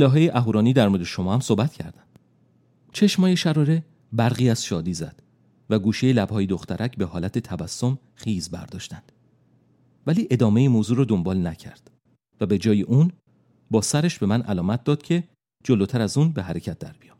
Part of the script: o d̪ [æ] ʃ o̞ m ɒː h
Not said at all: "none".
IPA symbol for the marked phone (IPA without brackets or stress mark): e